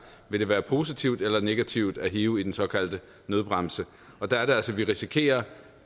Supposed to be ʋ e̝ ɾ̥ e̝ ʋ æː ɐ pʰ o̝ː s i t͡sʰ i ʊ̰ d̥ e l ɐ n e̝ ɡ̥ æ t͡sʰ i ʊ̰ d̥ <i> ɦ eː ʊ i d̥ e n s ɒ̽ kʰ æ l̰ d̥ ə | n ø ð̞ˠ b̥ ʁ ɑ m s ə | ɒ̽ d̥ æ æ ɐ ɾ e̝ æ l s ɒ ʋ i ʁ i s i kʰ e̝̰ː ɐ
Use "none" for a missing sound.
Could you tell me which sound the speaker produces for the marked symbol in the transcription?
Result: æ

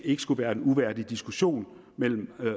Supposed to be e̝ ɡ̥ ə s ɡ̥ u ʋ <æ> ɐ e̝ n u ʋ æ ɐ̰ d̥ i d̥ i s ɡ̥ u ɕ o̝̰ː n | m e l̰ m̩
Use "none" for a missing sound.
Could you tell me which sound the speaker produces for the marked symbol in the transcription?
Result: æː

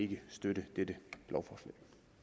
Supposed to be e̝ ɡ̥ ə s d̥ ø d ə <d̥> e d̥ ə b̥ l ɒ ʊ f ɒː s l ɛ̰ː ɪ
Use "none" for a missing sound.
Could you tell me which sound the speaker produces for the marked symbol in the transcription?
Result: d̥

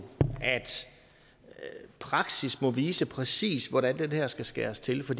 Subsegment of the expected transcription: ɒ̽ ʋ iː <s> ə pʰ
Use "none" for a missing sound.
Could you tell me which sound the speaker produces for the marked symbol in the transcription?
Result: s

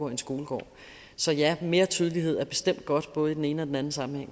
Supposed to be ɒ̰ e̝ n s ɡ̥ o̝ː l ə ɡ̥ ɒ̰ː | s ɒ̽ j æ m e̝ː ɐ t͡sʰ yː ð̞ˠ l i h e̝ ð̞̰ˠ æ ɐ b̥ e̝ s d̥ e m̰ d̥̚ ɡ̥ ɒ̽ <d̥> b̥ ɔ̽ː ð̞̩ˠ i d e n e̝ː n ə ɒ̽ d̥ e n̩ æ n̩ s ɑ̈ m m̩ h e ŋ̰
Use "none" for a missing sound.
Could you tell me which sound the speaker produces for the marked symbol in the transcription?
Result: d̥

